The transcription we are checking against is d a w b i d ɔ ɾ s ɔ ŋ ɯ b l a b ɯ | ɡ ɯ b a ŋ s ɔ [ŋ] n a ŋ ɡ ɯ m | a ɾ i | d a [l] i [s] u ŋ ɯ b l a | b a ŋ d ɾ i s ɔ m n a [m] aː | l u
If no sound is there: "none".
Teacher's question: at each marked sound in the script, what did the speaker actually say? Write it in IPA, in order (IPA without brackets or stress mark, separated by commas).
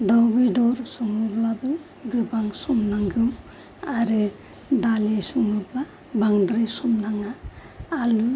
m, l, s, ŋ